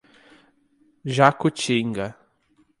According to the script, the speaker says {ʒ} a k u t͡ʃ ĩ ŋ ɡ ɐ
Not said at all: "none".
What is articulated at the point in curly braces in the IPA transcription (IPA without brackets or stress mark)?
ʒ